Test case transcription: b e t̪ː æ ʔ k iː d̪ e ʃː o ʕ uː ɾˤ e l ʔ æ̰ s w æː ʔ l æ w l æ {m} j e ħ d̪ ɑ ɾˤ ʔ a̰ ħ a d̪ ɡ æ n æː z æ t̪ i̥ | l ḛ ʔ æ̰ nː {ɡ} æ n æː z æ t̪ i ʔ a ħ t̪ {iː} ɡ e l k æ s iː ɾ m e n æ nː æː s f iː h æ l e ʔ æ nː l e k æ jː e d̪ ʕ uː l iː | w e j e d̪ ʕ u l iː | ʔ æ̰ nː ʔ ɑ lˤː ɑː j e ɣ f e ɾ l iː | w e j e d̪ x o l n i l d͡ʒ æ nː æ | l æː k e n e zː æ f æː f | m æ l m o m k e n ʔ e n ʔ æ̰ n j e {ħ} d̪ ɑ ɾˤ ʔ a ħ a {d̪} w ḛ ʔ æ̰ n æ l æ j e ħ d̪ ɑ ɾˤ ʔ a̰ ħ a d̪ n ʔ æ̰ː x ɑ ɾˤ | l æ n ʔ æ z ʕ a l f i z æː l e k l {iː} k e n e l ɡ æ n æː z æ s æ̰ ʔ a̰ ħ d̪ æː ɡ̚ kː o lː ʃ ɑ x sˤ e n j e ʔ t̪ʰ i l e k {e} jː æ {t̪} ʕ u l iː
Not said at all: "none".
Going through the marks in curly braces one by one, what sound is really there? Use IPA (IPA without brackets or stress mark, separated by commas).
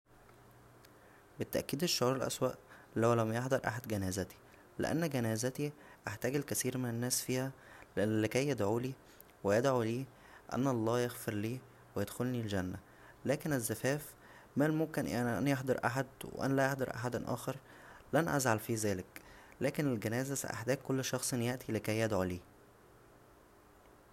m, ɡ, æː, ħ, d̪, æː, æ, d̪